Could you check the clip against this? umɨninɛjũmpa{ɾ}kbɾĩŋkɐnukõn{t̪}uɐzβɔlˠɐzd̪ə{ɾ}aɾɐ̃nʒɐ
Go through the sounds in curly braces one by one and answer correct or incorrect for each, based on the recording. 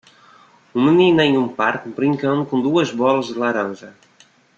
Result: correct, incorrect: d̪, incorrect: l

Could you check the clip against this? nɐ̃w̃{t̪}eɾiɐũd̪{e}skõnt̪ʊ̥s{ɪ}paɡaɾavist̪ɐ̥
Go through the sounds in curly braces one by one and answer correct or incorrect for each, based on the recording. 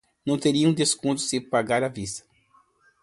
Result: correct, correct, correct

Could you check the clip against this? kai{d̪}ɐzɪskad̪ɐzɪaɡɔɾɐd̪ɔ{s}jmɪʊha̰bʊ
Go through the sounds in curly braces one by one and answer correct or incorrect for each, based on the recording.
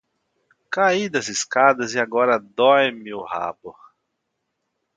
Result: correct, incorrect: none

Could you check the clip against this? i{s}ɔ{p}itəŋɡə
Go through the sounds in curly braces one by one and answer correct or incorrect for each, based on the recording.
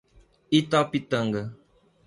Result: incorrect: t, correct

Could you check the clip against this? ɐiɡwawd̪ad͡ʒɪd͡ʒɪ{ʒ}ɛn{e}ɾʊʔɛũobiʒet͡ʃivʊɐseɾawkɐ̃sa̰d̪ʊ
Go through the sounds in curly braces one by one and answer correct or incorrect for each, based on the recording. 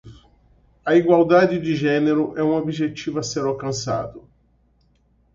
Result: correct, correct

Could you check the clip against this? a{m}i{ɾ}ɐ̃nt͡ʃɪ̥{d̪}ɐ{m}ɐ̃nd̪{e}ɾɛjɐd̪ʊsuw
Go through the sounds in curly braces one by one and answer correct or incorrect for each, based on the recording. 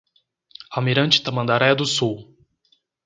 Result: correct, correct, incorrect: t̪, correct, incorrect: a

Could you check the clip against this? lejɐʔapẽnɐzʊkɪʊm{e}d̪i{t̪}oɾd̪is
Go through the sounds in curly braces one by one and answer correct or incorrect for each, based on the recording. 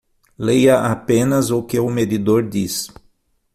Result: correct, incorrect: d̪

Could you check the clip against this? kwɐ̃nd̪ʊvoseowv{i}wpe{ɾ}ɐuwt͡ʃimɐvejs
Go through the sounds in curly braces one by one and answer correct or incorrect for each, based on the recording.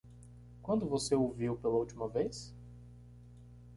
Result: correct, incorrect: l

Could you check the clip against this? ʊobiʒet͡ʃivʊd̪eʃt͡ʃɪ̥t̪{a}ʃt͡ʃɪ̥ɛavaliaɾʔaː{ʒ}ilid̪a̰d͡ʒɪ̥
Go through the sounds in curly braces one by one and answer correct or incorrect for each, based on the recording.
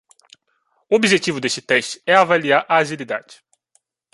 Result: incorrect: ɛ, correct

